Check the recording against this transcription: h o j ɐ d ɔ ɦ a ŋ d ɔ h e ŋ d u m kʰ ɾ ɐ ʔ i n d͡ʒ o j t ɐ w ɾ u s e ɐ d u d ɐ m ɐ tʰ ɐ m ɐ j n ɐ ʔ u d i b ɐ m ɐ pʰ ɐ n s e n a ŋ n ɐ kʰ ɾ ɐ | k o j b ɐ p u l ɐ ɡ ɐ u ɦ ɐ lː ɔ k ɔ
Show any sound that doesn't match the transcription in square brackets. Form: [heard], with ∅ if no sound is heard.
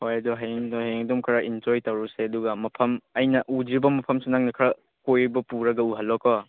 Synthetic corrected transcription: h o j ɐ d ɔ ɦ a ŋ d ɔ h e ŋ d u m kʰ ɾ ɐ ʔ i n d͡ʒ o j t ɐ w ɾ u s e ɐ d u [ɡ] ɐ m ɐ [pʰ] ɐ m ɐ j n ɐ ʔ u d i b ɐ m ɐ pʰ ɐ [m] s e n a ŋ n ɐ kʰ ɾ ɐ | k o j b ɐ p u [ɾ] ɐ ɡ ɐ u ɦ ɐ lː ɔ k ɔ